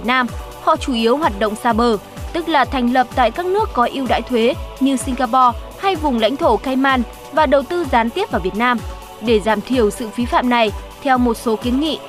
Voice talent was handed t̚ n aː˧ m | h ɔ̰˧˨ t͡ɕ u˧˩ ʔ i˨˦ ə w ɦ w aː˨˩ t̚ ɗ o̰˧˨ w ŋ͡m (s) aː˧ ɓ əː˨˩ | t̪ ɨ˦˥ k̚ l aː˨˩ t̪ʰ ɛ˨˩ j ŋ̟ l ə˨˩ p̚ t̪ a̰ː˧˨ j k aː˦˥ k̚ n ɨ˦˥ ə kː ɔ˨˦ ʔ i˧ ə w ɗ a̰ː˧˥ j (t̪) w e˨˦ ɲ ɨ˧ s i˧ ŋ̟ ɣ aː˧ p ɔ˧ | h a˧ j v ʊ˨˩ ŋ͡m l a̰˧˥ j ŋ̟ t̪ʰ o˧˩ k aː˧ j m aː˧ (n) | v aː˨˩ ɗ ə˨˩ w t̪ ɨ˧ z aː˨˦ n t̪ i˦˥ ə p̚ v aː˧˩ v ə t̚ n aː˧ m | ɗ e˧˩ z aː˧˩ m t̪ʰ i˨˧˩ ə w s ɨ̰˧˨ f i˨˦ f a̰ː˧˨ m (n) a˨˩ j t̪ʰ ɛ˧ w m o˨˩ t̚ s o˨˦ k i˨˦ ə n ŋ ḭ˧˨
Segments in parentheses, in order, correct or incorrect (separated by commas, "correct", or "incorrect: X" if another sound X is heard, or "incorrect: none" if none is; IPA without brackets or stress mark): correct, incorrect: t̪ʰ, correct, correct